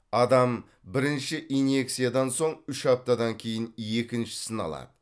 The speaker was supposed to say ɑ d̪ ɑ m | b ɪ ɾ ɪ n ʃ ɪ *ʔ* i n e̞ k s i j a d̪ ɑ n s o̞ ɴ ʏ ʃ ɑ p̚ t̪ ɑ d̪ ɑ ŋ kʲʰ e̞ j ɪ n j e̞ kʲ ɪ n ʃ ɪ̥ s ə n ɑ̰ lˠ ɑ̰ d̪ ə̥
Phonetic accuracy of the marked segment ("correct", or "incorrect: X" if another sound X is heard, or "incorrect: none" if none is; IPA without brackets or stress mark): correct